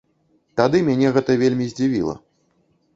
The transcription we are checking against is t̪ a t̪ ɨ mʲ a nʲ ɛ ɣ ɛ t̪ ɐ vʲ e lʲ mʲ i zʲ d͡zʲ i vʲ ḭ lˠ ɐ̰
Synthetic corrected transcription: t̪ a d̪ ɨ mʲ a nʲ ɛ ɣ ɛ t̪ ɐ vʲ e lʲ mʲ i zʲ d͡zʲ i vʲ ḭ lˠ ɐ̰

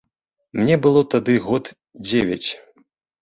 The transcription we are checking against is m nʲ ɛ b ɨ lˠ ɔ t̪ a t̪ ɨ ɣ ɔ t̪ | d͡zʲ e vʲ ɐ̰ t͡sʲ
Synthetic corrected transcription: m nʲ ɛ b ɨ lˠ ɔ t̪ a d̪ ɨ ɣ ɔ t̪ | d͡zʲ e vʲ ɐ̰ t͡sʲ

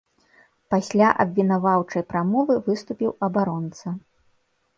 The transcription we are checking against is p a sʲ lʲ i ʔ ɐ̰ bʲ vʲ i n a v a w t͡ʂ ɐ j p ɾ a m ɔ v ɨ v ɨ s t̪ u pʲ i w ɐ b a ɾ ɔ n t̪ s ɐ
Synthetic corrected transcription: p a sʲ lʲ a ʔ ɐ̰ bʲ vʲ i n a v a w t͡ʂ ɐ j p ɾ a m ɔ v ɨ v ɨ s t̪ u pʲ i w ɐ b a ɾ ɔ n t̪ s ɐ

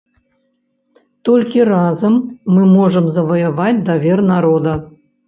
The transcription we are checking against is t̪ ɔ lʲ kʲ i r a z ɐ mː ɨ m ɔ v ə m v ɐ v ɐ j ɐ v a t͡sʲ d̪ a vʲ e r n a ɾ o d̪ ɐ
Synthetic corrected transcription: t̪ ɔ lʲ kʲ i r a z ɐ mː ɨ m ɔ ʐ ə m z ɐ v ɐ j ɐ v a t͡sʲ d̪ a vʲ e r n a ɾ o d̪ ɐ

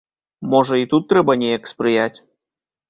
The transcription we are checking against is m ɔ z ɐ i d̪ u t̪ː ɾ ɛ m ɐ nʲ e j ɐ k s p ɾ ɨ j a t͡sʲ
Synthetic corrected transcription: m ɔ ʐ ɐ i t̪ u t̪ː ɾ ɛ b ɐ nʲ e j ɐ k s p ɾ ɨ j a t͡sʲ

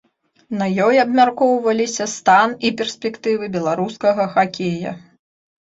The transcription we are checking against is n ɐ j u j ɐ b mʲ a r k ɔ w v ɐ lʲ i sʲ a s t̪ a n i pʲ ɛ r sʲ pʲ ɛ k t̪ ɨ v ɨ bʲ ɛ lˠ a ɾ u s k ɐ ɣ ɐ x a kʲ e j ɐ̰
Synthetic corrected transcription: n ɐ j ɔ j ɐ b mʲ a r k ɔ w v ɐ lʲ i sʲ ɐ s t̪ a n i pʲ ɛ r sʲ pʲ ɛ k t̪ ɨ v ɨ bʲ ɛ lˠ a ɾ u s k ɐ ɣ ɐ x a kʲ e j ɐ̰

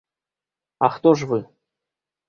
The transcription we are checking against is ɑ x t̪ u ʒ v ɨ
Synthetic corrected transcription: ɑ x t̪ o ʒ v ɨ

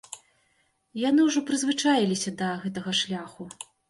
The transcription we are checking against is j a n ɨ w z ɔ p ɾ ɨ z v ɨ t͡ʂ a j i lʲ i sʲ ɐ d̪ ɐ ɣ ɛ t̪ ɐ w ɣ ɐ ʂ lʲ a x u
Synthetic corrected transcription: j a n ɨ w ʐ ɔ p ɾ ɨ z v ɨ t͡ʂ a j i lʲ i sʲ ɐ d̪ ɐ ɣ ɛ t̪ ɐ ɣ ɐ ʂ lʲ a x u

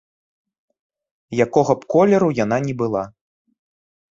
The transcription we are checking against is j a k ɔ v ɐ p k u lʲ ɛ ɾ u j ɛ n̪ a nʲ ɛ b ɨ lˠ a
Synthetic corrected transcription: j a k ɔ ɣ ɐ p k ɔ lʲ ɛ ɾ u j a n̪ a nʲ ɛ b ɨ lˠ a

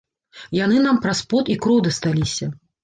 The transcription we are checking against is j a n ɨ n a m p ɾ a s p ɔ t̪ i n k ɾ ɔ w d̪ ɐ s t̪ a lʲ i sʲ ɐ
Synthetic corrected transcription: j a n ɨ n a m p ɾ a s p ɔ t̪ i k ɾ ɔ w d̪ ɐ s t̪ a lʲ i sʲ ɐ

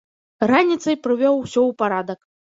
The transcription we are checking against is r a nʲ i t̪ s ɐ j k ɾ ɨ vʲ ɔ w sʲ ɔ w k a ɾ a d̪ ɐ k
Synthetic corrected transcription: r a nʲ i t̪ s ɐ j p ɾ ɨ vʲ ɔ w sʲ ɔ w p a ɾ a d̪ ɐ k

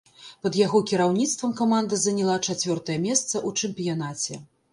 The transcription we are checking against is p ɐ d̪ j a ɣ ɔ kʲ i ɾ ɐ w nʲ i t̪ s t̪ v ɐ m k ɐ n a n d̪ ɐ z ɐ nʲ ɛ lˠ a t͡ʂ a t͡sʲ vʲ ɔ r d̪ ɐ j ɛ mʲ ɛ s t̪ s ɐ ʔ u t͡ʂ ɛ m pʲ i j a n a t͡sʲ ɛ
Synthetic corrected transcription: p ɐ d̪ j a ɣ ɔ kʲ i ɾ a w nʲ i t̪ s t̪ v ɐ m k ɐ m a n d̪ ɐ z ɐ nʲ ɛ lˠ a t͡ʂ a t͡sʲ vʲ ɔ r t̪ ɐ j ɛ mʲ ɛ s t̪ s ɐ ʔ u t͡ʂ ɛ m pʲ i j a n a t͡sʲ ɛ

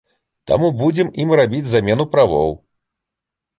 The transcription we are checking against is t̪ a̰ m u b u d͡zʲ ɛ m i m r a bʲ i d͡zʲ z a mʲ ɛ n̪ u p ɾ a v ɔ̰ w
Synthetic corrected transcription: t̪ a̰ m u b u d͡zʲ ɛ m i m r a bʲ i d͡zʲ z a mʲ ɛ n̪ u p ɾ a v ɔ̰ w

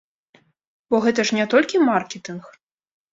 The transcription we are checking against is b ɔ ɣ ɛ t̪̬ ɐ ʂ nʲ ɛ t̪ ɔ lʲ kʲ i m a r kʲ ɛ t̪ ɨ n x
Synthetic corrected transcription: b ɔ ɣ ɛ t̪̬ ɐ ʂ nʲ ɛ t̪ ɔ lʲ kʲ i m a r kʲ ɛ t̪ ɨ n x

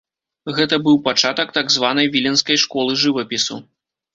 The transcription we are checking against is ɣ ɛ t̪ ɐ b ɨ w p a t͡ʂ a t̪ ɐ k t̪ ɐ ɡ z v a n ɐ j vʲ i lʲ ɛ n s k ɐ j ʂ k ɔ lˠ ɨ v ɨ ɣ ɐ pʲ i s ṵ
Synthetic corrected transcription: ɣ ɛ t̪ ɐ b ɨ w p a t͡ʂ a t̪ ɐ k t̪ a ɡ z v a n ɐ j vʲ i lʲ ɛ n s k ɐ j ʂ k ɔ lˠ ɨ ʐ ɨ v ɐ pʲ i s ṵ

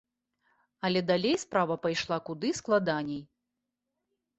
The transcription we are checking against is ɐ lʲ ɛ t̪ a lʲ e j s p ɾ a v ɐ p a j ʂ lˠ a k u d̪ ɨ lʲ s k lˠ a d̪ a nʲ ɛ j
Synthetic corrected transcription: ɐ lʲ ɛ d̪ a lʲ e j s p ɾ a v ɐ p a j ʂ lˠ a k u d̪ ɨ s k lˠ a d̪ a nʲ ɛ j

